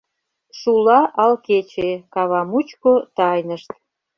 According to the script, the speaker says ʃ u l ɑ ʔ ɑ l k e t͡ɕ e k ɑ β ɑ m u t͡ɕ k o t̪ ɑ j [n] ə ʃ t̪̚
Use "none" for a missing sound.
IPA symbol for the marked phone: n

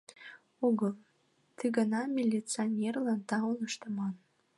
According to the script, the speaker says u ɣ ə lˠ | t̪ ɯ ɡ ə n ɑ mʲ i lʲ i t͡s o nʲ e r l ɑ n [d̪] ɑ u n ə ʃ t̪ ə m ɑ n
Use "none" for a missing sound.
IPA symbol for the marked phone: t̪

